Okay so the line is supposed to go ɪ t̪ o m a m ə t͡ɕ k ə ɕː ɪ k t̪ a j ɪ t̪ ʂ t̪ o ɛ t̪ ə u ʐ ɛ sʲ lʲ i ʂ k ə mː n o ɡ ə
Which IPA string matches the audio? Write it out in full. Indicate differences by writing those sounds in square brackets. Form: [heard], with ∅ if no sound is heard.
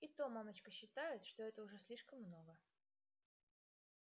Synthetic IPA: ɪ t̪ o m a m ə t͡ɕ k ə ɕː ɪ [∅] t̪ a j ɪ t̪ ʂ t̪ o ɛ t̪ ə [ʊ] ʐ ɛ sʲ lʲ i ʂ k ə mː n o ɡ ə